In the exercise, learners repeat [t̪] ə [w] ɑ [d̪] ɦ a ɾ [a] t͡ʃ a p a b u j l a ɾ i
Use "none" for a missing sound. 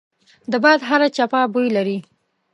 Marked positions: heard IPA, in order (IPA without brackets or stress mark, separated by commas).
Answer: d̪, b, d̪, a